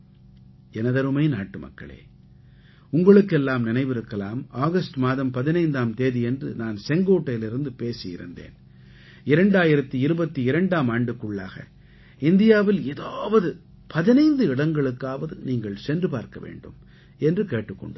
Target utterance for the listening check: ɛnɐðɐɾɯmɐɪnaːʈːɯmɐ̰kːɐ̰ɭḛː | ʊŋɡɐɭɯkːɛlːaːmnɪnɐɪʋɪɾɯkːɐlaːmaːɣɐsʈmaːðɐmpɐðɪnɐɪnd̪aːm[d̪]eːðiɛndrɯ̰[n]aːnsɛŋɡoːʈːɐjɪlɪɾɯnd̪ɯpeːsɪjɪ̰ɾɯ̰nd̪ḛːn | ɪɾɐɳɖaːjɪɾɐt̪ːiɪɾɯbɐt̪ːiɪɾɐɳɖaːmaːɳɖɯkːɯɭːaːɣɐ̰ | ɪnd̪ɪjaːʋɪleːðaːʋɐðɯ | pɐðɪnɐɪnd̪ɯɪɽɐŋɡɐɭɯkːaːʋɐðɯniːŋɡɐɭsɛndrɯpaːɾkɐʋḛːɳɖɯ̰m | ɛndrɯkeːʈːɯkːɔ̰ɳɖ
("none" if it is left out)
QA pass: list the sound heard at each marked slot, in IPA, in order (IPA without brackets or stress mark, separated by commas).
t̪, n